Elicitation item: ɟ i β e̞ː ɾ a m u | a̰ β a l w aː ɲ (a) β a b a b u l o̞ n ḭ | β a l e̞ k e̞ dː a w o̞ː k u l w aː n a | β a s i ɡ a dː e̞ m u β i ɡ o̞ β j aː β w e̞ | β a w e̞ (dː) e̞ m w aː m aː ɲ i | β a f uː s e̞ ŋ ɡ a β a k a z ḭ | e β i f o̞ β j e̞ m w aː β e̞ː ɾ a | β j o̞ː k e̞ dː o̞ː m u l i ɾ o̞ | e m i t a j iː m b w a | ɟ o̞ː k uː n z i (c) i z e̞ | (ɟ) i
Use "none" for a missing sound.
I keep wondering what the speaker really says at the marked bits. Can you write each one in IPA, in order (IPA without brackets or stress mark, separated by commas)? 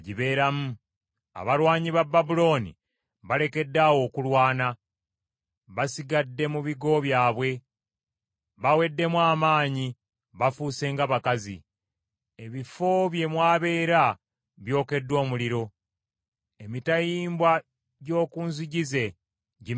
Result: i, dː, ɟ, ɟ